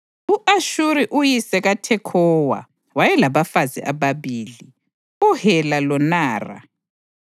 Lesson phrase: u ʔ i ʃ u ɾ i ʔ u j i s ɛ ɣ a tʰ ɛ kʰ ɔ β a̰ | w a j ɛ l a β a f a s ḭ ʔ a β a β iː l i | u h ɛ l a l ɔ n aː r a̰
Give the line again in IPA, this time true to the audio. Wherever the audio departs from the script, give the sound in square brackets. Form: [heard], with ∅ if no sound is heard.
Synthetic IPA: u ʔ [a] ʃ u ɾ i ʔ u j i s ɛ ɣ a tʰ ɛ kʰ ɔ [w] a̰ | w a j ɛ l a β a f a [z] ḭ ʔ a β a β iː l i | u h ɛ l a l ɔ n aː r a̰